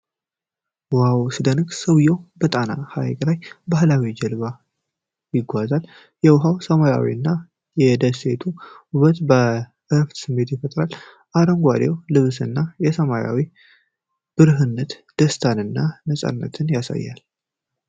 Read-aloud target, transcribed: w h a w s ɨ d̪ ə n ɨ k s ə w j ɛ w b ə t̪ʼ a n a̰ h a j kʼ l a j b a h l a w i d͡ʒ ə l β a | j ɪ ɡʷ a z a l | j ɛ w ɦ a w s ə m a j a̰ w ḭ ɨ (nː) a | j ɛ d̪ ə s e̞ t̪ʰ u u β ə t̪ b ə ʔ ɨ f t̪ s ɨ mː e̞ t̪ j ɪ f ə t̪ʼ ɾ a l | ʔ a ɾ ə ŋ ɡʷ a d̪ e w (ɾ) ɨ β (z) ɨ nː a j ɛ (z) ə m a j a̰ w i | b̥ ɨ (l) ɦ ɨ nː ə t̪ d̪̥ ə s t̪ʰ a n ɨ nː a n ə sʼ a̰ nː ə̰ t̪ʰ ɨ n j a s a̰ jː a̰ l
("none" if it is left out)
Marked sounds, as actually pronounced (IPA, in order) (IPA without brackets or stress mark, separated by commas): nː, l, s, s, ɾ